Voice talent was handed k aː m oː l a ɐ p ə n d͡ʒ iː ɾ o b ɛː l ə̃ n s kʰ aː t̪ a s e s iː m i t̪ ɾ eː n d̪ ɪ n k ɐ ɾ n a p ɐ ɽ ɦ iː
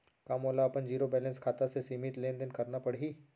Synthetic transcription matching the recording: k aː m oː l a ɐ p ə n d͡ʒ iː ɾ o b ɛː l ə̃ n s kʰ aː t̪ a s e s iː m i t̪ l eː n d̪ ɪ n k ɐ ɾ n a p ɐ ɽ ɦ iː